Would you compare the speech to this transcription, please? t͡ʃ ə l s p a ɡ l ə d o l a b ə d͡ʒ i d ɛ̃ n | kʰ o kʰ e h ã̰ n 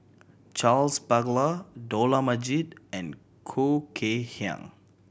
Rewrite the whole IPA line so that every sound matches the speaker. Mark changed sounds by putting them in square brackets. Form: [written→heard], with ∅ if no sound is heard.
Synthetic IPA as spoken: t͡ʃ [ə→a] l s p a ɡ l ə d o l a [b→m] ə d͡ʒ i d ɛ̃ n | kʰ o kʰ e h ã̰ [n→ŋ]